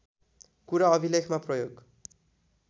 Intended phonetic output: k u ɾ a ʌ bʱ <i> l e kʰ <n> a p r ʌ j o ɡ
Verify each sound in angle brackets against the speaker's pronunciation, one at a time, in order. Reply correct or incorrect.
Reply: correct, incorrect

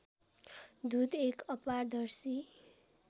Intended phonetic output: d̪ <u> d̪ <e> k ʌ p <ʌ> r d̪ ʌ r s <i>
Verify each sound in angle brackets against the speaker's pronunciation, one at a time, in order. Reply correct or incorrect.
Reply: correct, correct, incorrect, correct

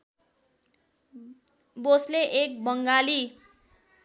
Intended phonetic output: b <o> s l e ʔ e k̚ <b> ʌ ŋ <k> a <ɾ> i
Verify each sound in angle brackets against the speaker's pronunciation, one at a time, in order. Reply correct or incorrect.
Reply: correct, correct, incorrect, incorrect

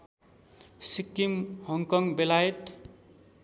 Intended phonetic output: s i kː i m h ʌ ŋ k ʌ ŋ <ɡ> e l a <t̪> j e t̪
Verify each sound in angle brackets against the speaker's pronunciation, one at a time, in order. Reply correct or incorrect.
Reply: incorrect, incorrect

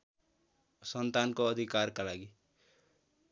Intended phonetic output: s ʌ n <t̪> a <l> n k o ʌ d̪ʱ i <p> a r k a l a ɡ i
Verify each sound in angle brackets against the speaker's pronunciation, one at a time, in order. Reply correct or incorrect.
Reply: correct, incorrect, incorrect

